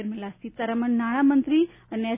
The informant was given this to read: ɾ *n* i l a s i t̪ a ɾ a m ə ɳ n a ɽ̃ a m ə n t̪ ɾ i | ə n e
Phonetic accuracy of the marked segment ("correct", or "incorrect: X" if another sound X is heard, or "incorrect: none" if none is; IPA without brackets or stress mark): incorrect: m